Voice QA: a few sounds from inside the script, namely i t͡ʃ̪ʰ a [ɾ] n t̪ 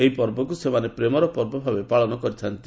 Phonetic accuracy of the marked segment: incorrect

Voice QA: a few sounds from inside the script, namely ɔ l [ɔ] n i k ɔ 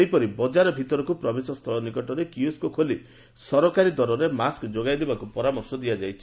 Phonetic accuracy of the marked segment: correct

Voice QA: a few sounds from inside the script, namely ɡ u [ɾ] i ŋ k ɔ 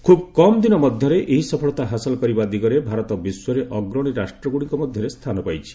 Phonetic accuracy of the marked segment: incorrect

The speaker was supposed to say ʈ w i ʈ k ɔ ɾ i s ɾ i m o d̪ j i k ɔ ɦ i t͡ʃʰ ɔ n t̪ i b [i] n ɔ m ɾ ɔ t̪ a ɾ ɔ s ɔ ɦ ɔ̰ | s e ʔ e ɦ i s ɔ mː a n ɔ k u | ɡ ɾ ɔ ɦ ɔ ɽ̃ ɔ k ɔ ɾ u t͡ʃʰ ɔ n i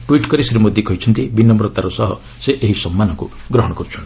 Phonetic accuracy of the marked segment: correct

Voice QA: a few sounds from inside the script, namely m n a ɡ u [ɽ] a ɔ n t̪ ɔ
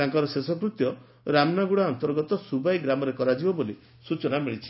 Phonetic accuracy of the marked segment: correct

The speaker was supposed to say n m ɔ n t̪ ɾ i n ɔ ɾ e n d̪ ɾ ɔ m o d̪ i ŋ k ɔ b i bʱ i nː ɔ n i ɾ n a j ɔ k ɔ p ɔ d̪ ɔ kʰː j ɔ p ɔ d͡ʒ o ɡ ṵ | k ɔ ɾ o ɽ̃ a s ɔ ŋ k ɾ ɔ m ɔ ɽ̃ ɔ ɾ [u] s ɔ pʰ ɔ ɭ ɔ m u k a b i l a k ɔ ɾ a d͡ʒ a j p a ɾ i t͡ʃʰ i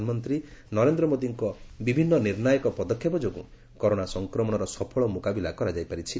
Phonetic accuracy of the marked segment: incorrect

